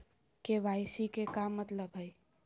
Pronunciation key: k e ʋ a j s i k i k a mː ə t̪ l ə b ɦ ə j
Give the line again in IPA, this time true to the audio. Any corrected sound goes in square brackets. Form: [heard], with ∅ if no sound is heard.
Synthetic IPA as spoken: k e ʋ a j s i k [e] k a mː ə t̪ l ə b ɦ ə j